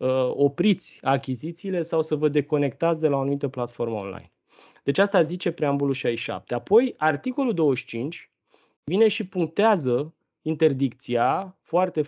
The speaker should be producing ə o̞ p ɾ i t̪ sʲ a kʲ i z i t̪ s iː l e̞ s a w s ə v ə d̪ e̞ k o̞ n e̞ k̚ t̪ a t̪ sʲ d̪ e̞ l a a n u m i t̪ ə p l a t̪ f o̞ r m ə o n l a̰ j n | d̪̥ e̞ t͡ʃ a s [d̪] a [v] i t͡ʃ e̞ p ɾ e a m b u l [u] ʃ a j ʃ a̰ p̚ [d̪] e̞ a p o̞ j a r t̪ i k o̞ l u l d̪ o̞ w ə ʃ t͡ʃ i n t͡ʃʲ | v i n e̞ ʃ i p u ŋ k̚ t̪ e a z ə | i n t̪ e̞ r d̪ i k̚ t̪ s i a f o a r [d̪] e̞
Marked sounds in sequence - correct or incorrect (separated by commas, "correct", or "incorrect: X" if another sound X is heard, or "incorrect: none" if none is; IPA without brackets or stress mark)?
incorrect: t̪, incorrect: z, correct, incorrect: t̪, incorrect: t̪